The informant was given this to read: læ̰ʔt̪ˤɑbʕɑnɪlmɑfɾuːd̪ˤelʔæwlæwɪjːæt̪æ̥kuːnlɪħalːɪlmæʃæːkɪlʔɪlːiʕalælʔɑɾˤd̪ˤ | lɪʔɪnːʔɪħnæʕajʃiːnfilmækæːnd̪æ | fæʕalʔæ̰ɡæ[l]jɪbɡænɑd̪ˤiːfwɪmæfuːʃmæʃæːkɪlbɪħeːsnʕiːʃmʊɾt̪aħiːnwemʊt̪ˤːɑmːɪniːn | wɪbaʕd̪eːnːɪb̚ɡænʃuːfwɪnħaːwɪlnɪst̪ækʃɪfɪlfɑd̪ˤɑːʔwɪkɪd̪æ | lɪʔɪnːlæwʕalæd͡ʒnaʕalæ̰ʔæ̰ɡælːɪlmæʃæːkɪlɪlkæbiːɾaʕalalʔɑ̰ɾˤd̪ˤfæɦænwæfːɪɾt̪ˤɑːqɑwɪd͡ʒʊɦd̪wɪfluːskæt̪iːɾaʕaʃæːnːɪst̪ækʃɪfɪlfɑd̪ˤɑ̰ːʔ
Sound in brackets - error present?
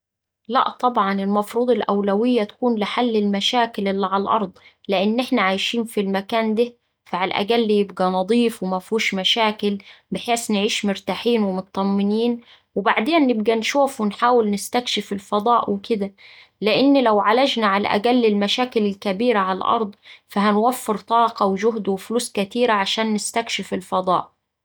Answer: yes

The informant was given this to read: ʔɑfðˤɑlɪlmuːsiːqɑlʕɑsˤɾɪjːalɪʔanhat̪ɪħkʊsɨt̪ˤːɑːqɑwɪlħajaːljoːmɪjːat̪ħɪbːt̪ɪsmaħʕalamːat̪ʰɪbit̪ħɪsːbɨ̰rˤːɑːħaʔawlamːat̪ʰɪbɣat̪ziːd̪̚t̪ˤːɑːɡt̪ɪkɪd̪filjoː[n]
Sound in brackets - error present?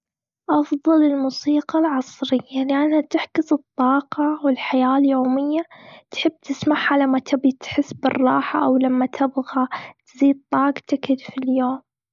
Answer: yes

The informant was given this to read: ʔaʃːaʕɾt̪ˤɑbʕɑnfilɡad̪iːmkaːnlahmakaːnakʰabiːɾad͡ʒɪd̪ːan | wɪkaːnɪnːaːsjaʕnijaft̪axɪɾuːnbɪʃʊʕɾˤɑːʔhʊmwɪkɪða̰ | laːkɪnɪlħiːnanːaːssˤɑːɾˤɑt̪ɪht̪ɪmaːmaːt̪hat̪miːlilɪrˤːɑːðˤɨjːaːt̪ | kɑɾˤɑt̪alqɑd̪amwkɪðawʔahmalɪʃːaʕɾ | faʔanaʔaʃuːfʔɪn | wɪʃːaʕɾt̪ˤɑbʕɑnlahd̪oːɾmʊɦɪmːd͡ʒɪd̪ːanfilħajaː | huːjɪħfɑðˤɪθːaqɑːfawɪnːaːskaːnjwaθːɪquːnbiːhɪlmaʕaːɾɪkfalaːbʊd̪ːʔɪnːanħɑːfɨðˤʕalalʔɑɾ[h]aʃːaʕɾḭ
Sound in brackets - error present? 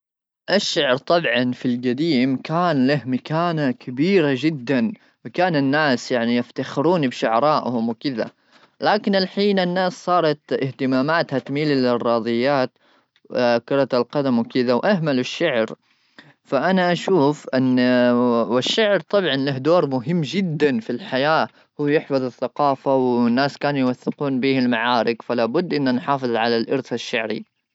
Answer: yes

